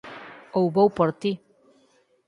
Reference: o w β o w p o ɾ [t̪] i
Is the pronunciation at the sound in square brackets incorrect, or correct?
correct